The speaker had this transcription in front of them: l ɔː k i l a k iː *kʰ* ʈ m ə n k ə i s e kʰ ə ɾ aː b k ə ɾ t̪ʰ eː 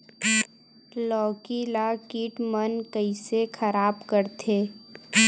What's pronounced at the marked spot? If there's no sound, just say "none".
none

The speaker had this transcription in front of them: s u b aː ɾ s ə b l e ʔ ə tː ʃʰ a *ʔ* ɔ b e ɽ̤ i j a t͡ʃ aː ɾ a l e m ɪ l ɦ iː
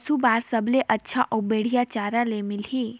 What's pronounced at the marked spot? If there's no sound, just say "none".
ʔ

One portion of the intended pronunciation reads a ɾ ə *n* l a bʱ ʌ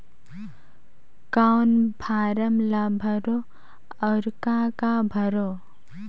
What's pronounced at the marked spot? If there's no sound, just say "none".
m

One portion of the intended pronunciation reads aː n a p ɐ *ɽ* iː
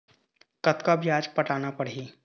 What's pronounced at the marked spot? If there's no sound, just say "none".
ɽ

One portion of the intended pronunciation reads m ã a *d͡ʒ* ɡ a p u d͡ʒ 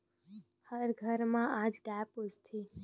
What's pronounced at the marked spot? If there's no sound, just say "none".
d͡ʒ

